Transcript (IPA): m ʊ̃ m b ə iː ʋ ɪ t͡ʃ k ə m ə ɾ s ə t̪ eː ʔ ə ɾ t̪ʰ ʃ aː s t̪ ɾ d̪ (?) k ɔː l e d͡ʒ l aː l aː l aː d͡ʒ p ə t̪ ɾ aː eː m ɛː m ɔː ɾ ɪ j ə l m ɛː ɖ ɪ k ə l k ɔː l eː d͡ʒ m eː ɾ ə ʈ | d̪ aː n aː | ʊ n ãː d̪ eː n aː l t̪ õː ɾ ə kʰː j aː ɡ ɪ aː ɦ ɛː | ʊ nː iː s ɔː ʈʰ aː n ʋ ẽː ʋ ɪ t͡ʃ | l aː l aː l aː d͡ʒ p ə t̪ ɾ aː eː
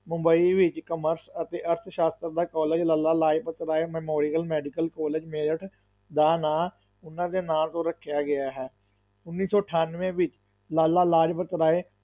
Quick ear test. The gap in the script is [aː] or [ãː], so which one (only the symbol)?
aː